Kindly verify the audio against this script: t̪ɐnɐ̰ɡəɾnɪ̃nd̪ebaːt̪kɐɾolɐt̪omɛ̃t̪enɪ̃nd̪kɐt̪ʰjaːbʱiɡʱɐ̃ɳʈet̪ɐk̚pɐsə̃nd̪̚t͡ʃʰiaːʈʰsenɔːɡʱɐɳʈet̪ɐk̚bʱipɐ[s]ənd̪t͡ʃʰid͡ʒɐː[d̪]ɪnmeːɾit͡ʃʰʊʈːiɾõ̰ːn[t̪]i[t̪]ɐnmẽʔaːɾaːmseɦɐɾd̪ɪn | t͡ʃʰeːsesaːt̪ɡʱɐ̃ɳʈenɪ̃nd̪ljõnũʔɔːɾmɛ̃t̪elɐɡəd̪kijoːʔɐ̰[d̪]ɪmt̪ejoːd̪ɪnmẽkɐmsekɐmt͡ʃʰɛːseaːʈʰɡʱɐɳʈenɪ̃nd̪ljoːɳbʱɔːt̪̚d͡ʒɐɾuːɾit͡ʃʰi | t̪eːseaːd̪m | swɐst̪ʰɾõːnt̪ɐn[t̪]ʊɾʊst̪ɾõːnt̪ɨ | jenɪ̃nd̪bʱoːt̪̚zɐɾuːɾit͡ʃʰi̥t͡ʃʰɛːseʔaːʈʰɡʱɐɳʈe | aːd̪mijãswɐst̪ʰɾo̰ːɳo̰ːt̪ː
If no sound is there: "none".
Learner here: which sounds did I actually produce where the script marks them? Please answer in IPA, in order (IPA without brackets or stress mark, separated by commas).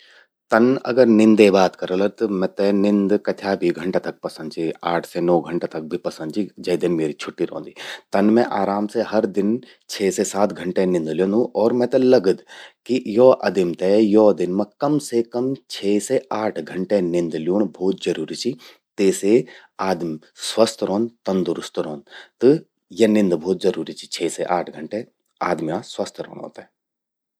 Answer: s, d̪, d̪, t̪, d̪, d̪